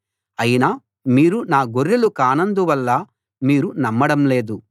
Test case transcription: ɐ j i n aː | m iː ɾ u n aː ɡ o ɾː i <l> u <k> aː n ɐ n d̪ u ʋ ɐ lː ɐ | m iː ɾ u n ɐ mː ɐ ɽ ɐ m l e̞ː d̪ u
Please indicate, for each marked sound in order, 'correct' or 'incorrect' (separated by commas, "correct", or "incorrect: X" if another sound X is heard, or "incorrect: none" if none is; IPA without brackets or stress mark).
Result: correct, correct